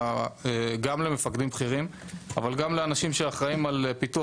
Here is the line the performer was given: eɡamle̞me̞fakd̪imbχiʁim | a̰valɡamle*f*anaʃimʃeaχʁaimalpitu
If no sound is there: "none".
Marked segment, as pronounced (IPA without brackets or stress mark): none